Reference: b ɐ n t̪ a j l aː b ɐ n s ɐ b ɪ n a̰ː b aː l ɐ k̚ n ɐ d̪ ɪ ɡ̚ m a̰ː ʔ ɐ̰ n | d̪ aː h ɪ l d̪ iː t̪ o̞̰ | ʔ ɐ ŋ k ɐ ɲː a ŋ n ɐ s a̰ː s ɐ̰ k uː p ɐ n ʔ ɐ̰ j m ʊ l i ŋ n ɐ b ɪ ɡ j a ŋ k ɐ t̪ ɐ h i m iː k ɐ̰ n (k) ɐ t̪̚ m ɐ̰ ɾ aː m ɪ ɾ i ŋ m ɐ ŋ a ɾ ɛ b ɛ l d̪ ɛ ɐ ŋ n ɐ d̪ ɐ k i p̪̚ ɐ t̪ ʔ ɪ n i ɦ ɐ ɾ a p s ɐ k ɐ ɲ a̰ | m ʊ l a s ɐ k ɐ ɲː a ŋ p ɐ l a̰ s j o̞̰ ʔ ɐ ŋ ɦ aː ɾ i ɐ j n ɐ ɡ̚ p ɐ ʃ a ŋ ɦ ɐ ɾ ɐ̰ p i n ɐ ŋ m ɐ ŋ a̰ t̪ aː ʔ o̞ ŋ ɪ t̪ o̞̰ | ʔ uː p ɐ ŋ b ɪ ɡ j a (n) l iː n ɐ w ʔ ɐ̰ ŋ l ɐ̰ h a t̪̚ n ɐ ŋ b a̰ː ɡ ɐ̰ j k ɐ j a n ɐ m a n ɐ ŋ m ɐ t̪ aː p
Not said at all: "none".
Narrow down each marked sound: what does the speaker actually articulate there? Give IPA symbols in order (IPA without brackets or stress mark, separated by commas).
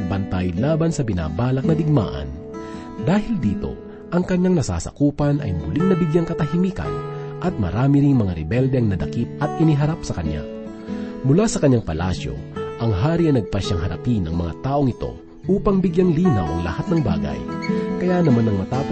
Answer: ʔ, ŋ